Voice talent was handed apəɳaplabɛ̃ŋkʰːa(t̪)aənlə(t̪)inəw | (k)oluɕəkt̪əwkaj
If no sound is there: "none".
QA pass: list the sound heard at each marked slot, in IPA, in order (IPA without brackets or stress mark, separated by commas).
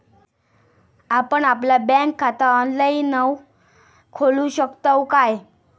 t̪, none, kʰ